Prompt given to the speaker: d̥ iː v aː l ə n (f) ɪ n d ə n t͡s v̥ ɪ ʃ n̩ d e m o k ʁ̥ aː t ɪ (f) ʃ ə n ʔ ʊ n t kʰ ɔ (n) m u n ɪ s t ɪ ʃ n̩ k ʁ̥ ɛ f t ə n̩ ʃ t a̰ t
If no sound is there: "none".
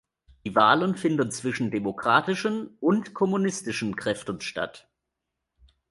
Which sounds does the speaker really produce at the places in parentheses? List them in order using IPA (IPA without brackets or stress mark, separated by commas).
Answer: f, none, none